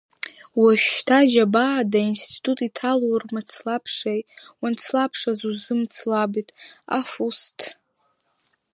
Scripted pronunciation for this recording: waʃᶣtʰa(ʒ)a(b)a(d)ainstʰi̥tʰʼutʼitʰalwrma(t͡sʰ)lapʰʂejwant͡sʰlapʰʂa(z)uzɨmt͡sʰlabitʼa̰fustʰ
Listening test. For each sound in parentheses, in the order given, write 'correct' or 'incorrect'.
correct, correct, correct, correct, correct

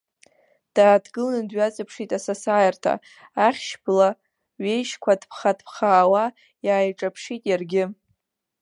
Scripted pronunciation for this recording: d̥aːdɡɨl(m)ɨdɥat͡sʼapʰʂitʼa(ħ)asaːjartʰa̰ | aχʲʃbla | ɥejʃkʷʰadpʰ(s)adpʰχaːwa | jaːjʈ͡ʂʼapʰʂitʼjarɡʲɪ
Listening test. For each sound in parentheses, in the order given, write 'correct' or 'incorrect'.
incorrect, incorrect, incorrect

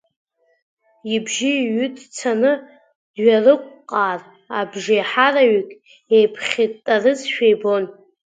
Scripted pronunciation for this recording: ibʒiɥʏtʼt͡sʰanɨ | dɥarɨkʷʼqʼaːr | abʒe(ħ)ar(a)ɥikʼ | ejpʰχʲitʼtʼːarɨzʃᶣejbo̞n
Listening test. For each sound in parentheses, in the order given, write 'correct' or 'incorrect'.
correct, correct

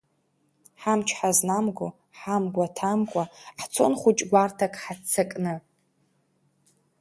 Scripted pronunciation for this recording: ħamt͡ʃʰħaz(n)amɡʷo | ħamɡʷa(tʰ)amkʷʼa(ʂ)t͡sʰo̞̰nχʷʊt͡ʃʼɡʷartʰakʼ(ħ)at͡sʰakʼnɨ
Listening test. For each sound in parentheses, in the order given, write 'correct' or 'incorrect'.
correct, correct, incorrect, correct

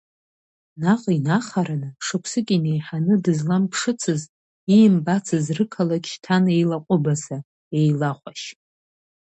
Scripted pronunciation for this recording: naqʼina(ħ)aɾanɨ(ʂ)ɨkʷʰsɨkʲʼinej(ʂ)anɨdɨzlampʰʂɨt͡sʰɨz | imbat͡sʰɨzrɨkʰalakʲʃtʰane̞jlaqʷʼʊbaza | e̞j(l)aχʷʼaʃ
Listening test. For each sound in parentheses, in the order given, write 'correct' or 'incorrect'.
incorrect, correct, incorrect, correct

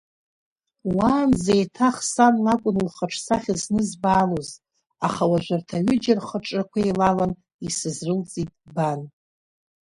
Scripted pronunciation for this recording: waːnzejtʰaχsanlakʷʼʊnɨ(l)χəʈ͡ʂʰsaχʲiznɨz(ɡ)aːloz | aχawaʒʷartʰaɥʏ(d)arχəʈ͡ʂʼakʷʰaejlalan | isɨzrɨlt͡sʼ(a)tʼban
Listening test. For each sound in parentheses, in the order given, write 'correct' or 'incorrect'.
correct, incorrect, incorrect, incorrect

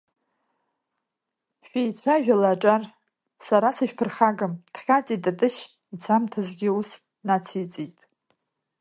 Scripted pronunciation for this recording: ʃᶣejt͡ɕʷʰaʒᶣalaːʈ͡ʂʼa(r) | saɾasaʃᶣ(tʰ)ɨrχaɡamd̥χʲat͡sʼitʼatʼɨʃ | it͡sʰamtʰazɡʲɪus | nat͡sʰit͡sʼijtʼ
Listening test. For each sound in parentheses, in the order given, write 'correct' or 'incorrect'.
correct, incorrect

